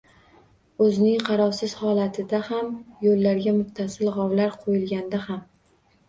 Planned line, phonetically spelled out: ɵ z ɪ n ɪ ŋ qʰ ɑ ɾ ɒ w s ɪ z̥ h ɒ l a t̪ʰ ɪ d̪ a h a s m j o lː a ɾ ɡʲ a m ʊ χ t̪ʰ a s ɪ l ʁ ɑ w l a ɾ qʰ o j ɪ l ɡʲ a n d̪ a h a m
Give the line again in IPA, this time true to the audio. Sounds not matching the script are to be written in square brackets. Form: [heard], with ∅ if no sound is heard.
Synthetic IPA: ɵ z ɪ n ɪ ŋ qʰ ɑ ɾ ɒ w s ɪ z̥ h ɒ l a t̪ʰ ɪ d̪ a h a [∅] m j o lː a ɾ ɡʲ a m ʊ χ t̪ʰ a s ɪ l ʁ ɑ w l a ɾ qʰ o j ɪ l ɡʲ a n d̪ a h a m